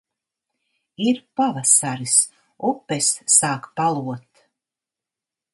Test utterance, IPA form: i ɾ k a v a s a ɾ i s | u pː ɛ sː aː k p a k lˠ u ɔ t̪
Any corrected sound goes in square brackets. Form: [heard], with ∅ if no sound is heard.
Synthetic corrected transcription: i ɾ [p] a v a s a ɾ i s | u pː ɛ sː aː k p a [∅] lˠ u ɔ t̪